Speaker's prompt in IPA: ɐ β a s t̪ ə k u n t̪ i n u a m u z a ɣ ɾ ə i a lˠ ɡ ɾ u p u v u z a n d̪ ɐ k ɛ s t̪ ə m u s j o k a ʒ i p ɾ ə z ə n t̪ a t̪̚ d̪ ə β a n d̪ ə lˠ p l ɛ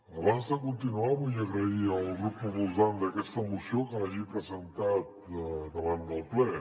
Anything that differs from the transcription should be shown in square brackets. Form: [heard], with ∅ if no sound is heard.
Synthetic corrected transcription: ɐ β a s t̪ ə k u n t̪ i n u a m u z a ɣ ɾ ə i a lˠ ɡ ɾ u p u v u z a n d̪ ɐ k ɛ s t̪ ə m u s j o k a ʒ i p ɾ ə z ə n t̪ a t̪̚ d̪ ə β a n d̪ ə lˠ p l ɛ